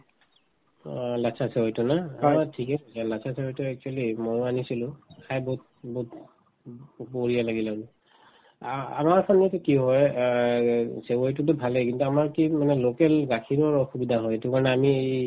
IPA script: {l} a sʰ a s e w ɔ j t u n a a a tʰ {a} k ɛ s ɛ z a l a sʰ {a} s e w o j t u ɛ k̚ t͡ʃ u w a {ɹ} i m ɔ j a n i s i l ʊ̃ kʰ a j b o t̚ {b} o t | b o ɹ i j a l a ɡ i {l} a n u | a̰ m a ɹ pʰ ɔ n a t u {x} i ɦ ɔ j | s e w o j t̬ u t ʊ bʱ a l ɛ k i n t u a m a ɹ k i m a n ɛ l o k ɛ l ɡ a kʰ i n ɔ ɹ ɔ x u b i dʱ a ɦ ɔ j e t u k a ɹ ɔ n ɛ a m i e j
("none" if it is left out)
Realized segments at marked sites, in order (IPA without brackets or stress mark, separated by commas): l, i, a, l, b, l, k